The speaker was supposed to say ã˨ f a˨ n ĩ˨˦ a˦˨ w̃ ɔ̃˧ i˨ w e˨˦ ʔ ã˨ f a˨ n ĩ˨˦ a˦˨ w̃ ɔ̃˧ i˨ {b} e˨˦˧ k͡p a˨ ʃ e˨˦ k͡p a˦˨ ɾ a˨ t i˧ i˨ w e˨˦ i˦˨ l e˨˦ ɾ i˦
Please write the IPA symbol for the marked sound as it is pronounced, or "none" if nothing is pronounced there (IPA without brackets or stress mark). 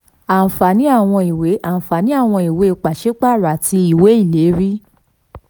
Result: w